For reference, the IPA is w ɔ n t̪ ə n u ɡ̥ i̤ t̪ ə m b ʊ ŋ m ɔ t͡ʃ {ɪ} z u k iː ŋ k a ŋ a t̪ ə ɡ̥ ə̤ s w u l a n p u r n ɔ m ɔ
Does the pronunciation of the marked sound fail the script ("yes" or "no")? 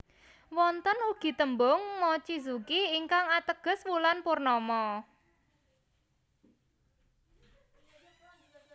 yes